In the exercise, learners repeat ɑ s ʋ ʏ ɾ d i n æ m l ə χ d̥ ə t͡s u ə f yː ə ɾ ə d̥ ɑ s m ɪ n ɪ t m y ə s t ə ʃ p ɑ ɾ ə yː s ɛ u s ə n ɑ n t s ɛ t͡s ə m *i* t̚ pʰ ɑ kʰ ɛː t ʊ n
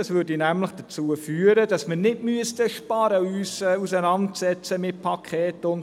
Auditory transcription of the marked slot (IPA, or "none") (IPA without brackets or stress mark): ɪ